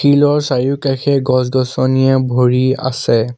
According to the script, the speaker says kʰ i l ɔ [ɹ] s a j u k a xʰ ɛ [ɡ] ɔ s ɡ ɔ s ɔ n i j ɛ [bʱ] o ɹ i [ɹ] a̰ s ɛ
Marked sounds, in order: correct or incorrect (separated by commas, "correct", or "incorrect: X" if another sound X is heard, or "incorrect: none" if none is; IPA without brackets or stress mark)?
correct, correct, correct, incorrect: none